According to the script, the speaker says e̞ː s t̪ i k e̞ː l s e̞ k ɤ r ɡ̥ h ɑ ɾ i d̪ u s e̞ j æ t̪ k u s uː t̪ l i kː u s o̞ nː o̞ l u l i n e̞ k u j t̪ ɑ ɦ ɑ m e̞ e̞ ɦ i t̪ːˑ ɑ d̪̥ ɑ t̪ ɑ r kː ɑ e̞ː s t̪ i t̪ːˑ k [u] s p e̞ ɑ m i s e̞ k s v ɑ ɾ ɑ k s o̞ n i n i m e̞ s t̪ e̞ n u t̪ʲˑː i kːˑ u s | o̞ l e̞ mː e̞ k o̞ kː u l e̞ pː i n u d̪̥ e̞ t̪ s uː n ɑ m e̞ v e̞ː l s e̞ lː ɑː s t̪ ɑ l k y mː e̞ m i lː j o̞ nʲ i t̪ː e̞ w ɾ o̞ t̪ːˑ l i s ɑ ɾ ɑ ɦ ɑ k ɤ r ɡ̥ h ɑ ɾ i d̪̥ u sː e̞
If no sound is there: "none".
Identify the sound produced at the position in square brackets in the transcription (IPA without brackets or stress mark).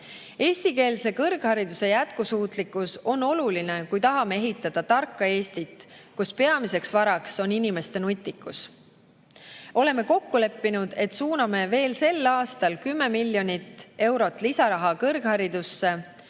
u